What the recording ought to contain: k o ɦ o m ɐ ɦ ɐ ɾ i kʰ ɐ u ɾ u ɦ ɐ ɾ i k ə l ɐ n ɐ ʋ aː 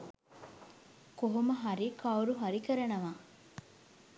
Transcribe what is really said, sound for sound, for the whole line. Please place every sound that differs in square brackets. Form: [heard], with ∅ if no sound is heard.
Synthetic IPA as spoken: k o ɦ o m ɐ ɦ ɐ ɾ i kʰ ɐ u ɾ u ɦ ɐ ɾ i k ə [ɾ] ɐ n ɐ ʋ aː